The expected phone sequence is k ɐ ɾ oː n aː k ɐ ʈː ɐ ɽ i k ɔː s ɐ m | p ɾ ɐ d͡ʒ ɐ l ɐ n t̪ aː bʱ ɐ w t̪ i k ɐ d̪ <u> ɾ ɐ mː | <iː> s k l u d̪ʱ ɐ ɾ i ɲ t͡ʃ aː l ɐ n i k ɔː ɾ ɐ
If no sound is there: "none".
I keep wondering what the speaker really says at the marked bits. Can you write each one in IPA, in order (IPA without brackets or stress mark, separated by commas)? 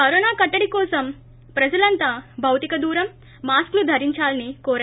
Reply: uː, aː